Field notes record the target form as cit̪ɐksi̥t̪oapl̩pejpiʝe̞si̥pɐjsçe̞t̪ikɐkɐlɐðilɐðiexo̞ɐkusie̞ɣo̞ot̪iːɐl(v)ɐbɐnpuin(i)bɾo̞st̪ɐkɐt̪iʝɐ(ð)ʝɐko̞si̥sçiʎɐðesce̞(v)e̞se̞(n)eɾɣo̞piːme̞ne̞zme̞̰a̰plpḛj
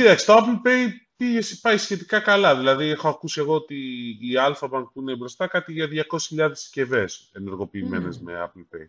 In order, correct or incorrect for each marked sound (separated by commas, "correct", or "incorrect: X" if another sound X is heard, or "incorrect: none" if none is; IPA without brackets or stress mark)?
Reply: incorrect: f, incorrect: e, correct, correct, correct